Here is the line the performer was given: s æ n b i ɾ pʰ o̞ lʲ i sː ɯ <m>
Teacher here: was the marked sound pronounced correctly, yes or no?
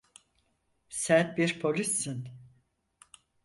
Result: no